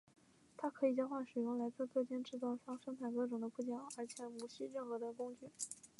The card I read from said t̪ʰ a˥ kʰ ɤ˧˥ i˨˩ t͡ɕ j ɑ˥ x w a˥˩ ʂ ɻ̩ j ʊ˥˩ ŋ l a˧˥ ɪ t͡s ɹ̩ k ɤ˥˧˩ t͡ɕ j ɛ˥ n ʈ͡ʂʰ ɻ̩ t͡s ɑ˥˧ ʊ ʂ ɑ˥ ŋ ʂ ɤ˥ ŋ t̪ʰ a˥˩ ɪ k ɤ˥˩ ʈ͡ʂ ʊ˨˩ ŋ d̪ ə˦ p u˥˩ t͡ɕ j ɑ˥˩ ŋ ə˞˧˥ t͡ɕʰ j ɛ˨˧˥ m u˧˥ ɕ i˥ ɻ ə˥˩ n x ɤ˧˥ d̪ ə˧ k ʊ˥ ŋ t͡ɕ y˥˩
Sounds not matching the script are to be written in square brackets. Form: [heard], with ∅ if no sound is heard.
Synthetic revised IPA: t̪ʰ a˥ kʰ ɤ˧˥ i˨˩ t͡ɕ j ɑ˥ x w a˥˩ ʂ ɻ̩ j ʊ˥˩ ŋ l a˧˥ ɪ t͡s ɹ̩ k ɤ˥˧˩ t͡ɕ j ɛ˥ n [ʈ͡ʂ] ɻ̩ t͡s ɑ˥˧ ʊ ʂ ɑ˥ ŋ ʂ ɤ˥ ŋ t̪ʰ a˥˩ ɪ k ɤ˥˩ ʈ͡ʂ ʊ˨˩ ŋ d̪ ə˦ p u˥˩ t͡ɕ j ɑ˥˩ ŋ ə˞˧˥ t͡ɕʰ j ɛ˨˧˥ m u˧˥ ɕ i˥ ɻ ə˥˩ n x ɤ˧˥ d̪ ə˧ k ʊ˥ ŋ t͡ɕ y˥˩